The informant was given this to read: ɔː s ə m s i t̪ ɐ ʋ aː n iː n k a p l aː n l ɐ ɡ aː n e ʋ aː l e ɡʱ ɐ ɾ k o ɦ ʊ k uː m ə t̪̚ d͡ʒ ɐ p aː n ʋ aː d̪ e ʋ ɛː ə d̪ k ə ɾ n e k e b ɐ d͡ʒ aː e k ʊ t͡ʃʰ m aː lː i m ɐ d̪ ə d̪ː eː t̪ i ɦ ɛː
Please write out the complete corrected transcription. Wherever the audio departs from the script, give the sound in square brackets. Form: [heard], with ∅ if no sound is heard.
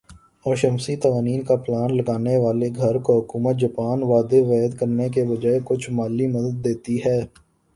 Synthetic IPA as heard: ɔː [ʃ] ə m s i t̪ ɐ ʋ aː n iː n k a p l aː n l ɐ ɡ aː n e ʋ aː l e ɡʱ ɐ ɾ k o ɦ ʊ k uː m ə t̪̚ d͡ʒ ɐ p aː n ʋ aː d̪ e ʋ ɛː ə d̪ k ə ɾ n e k e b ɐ d͡ʒ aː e k ʊ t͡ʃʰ m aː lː i m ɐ d̪ ə d̪ː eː t̪ i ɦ ɛː

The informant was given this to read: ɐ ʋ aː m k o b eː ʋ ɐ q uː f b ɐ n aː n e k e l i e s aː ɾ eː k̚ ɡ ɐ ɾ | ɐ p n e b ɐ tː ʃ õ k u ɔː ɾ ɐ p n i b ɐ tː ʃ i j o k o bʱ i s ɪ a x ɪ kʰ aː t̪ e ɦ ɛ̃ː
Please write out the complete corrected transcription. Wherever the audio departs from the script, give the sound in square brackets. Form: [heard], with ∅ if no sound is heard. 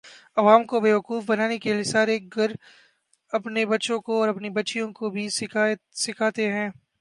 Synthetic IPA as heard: ɐ ʋ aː m k o b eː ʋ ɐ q uː f b ɐ n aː n e k e l i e s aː ɾ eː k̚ ɡ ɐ ɾ | ɐ p n e b ɐ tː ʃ õ k [o] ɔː ɾ ɐ p n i b ɐ tː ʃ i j [õ] k o bʱ i s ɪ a [s] ɪ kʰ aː t̪ e ɦ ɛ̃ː

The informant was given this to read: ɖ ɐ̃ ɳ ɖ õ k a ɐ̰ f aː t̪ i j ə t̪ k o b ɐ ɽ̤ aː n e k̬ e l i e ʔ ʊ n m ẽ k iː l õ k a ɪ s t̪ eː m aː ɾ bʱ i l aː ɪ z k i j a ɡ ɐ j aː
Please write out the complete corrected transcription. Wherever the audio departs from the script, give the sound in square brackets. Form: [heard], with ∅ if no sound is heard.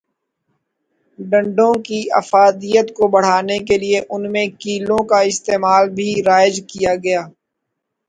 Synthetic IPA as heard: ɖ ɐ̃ ɳ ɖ õ k [i] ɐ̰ f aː [d̪] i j ə t̪ k o b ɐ ɽ̤ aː n e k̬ e l i e ʔ ʊ n m ẽ k iː l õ k a ɪ s t̪ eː m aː [l] bʱ i [ɾ] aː ɪ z k i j a ɡ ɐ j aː

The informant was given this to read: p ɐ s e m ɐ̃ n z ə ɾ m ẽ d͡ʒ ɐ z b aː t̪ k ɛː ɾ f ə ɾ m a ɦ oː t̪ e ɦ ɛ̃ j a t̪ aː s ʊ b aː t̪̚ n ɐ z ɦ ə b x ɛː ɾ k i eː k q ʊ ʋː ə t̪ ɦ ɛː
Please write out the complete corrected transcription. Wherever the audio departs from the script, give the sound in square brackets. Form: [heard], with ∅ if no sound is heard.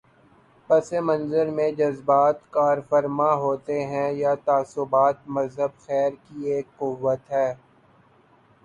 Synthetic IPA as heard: p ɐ s e m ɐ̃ n z ə ɾ m ẽ d͡ʒ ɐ z b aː t̪ k [aː] ɾ f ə ɾ m a ɦ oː t̪ e ɦ ɛ̃ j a t̪ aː s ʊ b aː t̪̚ [m] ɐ z ɦ ə b x ɛː ɾ k i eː k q ʊ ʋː ə t̪ ɦ ɛː

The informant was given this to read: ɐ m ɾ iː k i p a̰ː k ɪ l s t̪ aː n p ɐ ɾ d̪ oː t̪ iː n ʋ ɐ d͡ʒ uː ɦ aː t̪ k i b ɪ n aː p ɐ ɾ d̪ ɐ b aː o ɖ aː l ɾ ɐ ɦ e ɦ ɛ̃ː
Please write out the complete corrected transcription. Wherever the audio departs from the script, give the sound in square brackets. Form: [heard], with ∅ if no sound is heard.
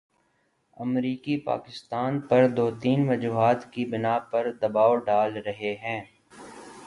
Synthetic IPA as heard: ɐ m ɾ iː k i p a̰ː k ɪ [∅] s t̪ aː n p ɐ ɾ d̪ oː t̪ iː n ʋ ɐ d͡ʒ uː ɦ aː t̪ k i b ɪ n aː p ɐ ɾ d̪ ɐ b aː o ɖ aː l ɾ ɐ ɦ e ɦ ɛ̃ː

